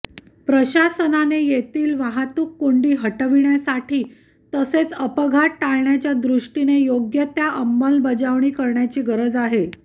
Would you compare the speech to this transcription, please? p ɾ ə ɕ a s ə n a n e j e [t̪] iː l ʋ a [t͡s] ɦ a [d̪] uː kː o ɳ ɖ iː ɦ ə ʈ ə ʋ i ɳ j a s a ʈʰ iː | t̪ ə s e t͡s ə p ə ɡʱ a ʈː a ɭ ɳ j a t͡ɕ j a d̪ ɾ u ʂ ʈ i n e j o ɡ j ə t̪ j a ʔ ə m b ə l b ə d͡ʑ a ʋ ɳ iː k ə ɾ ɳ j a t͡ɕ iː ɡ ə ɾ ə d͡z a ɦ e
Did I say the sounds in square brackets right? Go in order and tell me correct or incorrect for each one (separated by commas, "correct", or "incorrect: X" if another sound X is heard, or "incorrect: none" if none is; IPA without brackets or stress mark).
correct, incorrect: none, incorrect: t̪